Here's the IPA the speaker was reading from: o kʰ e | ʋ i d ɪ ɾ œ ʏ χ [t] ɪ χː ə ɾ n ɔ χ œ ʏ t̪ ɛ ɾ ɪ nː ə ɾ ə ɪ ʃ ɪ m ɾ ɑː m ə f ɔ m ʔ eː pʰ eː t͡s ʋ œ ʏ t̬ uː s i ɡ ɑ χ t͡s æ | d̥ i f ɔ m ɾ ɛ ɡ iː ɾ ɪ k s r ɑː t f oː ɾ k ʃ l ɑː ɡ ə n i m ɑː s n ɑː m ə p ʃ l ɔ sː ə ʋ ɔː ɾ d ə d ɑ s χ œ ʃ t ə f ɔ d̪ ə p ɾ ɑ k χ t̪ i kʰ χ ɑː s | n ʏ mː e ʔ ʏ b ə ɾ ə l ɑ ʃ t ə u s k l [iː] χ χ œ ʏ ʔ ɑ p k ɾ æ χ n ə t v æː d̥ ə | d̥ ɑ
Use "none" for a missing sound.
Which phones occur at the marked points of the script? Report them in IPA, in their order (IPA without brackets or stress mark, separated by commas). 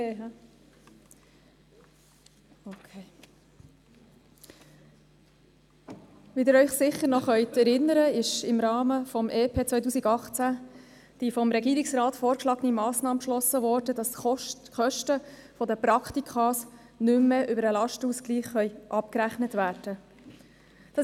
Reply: s, iː